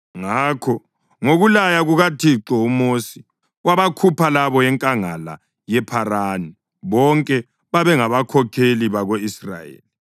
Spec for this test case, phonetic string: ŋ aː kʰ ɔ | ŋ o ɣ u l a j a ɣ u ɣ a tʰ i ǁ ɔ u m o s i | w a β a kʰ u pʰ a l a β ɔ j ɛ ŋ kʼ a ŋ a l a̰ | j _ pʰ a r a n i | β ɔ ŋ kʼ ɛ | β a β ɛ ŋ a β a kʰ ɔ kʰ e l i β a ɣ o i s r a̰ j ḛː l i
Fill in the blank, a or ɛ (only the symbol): ɛ